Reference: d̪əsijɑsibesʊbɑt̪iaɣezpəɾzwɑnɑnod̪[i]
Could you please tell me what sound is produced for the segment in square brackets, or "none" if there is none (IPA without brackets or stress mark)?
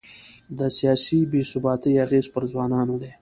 e